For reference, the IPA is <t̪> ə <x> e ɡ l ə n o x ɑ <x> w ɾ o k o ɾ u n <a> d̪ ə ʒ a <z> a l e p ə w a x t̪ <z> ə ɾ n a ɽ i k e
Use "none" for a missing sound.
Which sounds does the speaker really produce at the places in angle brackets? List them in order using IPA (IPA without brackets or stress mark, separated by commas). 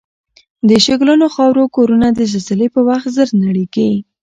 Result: d̪, ʃ, none, a, z, z